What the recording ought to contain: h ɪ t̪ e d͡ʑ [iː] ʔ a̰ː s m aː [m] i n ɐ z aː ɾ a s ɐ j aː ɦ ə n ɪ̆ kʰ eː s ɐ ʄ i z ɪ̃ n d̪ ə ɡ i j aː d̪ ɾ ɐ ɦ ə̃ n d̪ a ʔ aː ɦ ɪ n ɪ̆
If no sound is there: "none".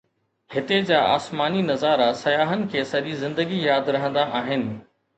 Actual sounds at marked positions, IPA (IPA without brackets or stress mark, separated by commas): aː, n